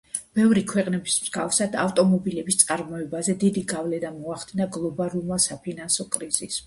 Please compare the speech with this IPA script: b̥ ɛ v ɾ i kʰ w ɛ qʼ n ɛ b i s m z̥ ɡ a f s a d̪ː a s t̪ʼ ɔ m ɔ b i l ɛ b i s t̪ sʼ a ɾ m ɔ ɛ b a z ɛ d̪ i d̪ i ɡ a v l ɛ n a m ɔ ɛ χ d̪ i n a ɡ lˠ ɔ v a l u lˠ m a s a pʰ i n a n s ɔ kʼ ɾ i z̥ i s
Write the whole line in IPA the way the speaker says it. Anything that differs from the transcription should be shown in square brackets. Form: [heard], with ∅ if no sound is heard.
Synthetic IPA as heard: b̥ ɛ v ɾ i kʰ w ɛ qʼ n ɛ b i s m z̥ ɡ a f s a [d̪] a [f] t̪ʼ ɔ m ɔ b i l ɛ b i s t̪ sʼ a ɾ m ɔ ɛ b a z ɛ d̪ i d̪ i ɡ a v l ɛ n a m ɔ [a] χ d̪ i n a ɡ lˠ ɔ [b] a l u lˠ m a s a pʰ i n a n s ɔ kʼ ɾ i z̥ i s